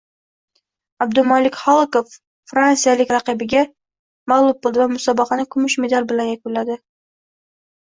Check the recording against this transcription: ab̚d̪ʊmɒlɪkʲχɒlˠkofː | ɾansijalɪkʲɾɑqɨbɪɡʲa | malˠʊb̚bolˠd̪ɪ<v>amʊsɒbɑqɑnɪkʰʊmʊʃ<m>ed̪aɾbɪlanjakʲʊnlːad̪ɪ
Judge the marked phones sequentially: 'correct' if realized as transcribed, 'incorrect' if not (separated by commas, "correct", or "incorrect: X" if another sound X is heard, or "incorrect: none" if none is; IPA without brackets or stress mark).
correct, correct